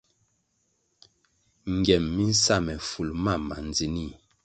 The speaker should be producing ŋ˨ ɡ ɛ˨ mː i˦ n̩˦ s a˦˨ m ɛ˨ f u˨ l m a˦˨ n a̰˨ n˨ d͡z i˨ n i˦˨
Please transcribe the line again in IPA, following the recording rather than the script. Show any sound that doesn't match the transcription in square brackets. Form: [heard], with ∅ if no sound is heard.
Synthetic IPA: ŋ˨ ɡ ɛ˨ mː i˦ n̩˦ s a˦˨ m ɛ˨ f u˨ l m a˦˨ [m] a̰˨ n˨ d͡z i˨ n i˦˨